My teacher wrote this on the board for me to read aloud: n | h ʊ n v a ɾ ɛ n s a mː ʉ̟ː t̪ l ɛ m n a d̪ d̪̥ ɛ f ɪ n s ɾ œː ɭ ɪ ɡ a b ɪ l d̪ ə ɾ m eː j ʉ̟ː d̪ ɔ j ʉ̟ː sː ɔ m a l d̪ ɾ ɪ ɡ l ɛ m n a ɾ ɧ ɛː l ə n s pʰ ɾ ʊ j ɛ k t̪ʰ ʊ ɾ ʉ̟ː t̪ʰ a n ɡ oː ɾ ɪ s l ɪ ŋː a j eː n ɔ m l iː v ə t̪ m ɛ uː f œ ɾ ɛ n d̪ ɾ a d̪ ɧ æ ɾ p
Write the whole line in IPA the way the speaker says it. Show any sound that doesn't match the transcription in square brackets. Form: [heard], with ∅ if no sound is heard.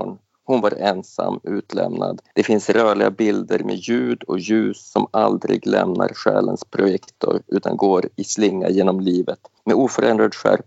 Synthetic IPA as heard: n | h ʊ n v a ɾ ɛ n s a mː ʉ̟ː t̪ l ɛ m n a d̪ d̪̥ ɛ f ɪ n s ɾ œː ɭ ɪ ɡ a b ɪ l d̪ ə ɾ m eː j ʉ̟ː d̪ ɔ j ʉ̟ː sː ɔ m a l d̪ ɾ ɪ ɡ l ɛ m n a ɾ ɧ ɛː l ə n s pʰ ɾ ʊ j ɛ k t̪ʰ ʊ ɾ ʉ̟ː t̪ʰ a n ɡ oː ɾ ɪ s l ɪ ŋː a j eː n ɔ m l iː v ə t̪ m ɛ uː f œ ɾ ɛ n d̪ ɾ a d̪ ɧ æ ɾ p